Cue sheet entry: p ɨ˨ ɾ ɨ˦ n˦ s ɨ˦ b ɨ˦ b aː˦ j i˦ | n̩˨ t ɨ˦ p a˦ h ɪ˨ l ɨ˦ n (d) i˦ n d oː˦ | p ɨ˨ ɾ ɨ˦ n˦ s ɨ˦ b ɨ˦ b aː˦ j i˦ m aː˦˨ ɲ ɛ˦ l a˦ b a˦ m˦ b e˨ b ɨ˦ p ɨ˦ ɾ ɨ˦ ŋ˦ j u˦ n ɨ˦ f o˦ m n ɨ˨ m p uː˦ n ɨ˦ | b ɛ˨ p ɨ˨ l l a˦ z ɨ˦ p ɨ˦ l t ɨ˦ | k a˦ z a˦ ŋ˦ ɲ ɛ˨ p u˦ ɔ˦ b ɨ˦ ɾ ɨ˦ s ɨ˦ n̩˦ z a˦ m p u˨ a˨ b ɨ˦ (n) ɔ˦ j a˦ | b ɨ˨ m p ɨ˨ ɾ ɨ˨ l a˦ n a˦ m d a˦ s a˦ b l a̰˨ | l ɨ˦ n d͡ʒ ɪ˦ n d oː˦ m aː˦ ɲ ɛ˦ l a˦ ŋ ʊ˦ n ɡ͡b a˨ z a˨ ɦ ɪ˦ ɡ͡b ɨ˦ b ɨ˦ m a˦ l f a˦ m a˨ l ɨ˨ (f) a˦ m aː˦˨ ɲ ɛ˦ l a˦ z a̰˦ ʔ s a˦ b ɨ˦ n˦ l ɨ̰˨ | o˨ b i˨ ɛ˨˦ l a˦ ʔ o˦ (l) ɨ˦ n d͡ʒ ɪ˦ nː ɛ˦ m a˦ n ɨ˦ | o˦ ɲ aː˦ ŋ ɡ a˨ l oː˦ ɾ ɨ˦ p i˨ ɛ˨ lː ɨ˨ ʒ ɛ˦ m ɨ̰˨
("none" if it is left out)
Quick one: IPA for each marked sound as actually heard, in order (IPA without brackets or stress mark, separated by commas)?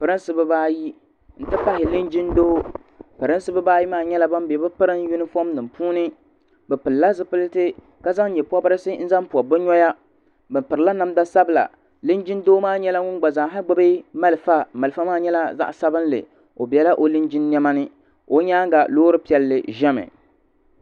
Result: d͡ʒ, ɲ, f, l